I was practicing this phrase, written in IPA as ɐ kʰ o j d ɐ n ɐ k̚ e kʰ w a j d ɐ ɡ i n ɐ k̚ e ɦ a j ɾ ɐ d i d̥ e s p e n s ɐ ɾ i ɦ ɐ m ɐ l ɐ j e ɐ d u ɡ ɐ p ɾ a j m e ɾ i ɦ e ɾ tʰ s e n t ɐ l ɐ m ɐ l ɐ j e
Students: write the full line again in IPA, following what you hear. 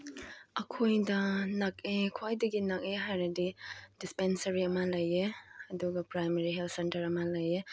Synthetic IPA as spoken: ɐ kʰ o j d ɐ n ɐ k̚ e kʰ w a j d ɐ ɡ i n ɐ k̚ e ɦ a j ɾ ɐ d i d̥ i s p e n s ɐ ɾ i ɐ m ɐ l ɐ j e ɐ d u ɡ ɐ p ɾ a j m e ɾ i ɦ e l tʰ s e n t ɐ ɾ ɐ m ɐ l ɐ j e